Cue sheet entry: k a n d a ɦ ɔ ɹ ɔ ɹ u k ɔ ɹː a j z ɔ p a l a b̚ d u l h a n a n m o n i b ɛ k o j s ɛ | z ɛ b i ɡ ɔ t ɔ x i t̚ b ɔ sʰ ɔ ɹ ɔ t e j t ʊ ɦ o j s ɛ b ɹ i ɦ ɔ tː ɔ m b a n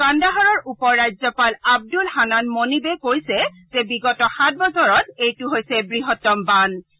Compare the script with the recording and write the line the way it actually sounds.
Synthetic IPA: k a n d a ɦ ɔ ɹ ɔ ɹ u p ɔ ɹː a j z ɔ p a l a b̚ d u l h a n a n m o n i b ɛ k o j s ɛ | z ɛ b i ɡ ɔ t ɔ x a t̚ b ɔ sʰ ɔ ɹ ɔ t e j t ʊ ɦ o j s ɛ b ɹ i ɦ ɔ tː ɔ m b a n